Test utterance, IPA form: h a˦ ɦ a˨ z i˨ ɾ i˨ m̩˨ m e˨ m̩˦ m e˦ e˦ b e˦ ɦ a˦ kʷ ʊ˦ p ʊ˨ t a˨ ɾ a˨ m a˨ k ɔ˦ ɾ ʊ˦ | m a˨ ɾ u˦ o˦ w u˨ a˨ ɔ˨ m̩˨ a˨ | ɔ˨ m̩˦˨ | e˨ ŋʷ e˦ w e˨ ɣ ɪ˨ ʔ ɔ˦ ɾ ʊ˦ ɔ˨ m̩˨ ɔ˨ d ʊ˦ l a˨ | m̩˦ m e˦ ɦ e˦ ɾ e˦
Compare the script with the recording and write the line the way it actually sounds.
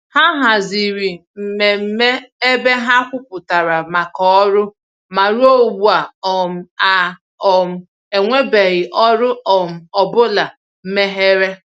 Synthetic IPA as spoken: h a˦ ɦ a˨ z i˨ ɾ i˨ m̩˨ m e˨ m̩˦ m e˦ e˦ b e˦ ɦ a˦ kʷ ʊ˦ p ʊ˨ t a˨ ɾ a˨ m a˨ k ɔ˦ ɾ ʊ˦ | m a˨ ɾ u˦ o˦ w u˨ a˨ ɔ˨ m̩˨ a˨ | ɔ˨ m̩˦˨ | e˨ ŋʷ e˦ b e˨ ɣ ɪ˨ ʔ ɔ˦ ɾ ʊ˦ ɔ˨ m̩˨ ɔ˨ b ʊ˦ l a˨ | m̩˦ m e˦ ɦ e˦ ɾ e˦

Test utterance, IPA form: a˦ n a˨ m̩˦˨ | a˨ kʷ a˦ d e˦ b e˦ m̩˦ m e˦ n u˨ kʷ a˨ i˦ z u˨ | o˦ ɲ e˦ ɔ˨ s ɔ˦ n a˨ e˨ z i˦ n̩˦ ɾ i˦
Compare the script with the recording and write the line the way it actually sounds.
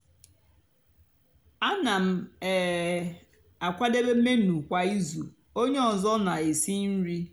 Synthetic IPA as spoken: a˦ n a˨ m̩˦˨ | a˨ kʷ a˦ d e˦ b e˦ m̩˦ m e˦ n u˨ kʷ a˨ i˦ z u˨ | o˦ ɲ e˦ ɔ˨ z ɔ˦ n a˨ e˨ s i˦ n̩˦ ɾ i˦

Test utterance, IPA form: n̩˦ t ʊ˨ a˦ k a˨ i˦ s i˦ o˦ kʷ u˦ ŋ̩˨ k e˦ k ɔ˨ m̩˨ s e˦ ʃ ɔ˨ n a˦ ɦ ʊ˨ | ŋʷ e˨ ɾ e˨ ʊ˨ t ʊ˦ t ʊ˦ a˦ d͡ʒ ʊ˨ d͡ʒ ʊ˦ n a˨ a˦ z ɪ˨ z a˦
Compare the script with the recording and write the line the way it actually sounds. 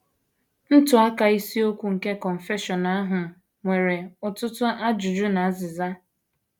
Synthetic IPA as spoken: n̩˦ t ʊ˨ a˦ k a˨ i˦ s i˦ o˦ kʷ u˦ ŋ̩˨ k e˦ k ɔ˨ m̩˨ f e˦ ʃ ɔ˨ n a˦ ɦ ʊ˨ | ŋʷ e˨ ɾ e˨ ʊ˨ t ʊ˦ t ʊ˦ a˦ d͡ʒ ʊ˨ d͡ʒ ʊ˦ n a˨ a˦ z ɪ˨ z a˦

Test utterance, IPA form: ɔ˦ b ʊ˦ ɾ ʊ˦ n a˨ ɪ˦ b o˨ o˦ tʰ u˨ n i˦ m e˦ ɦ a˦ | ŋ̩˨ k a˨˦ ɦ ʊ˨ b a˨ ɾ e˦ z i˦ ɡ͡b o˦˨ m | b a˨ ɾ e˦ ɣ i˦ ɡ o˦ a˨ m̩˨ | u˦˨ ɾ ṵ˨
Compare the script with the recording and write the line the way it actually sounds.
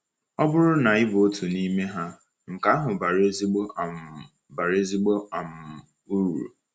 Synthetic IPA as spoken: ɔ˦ b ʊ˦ ɾ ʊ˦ n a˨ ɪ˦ b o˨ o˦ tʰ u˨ n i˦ m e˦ ɦ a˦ | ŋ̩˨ k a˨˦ ɦ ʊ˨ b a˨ ɾ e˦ z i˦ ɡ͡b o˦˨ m | b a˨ ɾ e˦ z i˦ ɡ͡b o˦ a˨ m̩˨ | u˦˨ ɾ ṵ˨

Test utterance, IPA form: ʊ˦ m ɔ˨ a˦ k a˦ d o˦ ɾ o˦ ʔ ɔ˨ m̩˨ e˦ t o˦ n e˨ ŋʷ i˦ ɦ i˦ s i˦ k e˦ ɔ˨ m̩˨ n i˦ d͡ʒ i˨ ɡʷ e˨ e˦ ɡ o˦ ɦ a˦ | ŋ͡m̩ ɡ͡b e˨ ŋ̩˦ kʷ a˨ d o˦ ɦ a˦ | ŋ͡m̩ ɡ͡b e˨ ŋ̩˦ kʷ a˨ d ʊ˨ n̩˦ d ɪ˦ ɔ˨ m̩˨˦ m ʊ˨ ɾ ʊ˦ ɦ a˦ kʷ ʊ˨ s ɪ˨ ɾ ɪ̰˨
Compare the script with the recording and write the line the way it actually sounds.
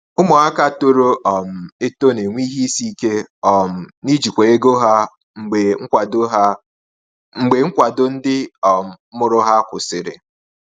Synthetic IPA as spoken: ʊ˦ m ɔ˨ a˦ k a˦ t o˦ ɾ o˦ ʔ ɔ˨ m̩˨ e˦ t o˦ n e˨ ŋʷ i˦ ɦ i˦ s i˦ k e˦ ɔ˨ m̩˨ n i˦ d͡ʒ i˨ kʷ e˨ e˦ ɡ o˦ ɦ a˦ | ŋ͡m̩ ɡ͡b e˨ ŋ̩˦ kʷ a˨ d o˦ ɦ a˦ | ŋ͡m̩ ɡ͡b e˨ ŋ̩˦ kʷ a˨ d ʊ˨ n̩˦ d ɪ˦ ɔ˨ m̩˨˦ m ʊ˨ ɾ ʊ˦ ɦ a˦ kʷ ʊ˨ s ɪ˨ ɾ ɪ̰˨

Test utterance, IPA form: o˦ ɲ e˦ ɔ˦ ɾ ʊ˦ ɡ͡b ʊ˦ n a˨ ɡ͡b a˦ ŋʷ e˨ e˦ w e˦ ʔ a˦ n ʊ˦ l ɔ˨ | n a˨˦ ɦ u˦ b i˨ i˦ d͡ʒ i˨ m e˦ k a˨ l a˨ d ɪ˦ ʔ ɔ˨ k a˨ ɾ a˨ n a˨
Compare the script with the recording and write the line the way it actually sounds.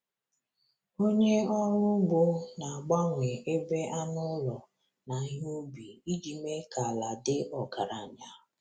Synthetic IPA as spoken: o˦ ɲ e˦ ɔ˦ ɾ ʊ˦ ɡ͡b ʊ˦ n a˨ ɡ͡b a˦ ŋʷ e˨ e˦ b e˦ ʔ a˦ n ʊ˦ l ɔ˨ | n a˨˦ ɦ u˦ b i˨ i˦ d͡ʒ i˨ m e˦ k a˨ l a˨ d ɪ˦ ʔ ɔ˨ k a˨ ɾ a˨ ɲ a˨

